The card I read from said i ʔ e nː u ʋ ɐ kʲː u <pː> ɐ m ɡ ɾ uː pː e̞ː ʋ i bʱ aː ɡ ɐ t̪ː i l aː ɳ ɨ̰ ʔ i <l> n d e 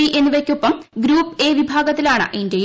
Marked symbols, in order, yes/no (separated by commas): yes, no